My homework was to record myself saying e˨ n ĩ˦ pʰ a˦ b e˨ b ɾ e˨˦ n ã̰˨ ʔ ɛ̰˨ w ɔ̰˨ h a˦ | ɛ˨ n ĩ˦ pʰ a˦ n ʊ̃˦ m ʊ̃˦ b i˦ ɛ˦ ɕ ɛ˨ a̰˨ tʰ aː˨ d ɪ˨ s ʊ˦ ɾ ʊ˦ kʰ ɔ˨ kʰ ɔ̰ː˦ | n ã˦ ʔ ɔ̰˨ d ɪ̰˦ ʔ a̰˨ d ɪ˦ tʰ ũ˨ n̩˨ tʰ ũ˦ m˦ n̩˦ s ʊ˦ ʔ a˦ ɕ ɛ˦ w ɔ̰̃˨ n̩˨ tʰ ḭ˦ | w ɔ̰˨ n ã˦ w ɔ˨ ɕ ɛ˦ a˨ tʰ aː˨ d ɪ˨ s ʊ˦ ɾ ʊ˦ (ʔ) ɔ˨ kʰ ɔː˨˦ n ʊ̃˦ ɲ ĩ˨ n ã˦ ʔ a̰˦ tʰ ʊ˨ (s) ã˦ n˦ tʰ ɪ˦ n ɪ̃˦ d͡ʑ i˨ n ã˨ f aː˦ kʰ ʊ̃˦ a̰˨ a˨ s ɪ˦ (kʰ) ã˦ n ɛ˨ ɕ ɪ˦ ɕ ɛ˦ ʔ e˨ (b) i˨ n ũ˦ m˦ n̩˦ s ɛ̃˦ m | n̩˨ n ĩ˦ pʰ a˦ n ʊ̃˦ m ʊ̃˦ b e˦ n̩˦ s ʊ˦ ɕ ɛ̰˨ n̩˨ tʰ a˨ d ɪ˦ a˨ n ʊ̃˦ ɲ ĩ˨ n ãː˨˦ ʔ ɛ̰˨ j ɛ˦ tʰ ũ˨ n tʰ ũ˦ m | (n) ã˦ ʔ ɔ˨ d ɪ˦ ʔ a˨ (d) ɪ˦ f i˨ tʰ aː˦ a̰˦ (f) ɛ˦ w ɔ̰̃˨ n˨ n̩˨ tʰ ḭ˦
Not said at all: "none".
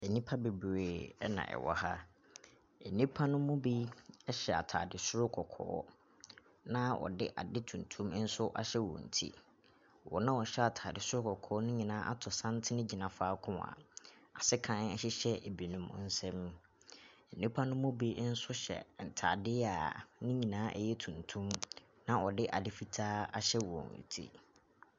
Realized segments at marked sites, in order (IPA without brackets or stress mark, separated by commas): k, s, kʰ, b, n, d, ɕ